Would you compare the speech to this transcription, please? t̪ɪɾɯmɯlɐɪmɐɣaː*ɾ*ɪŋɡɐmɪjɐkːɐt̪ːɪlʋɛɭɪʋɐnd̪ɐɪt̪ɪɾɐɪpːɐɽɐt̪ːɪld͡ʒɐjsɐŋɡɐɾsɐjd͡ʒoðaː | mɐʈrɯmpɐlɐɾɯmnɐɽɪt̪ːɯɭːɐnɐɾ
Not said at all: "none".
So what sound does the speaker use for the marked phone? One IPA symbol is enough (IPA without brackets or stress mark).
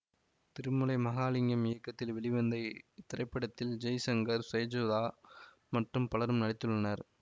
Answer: l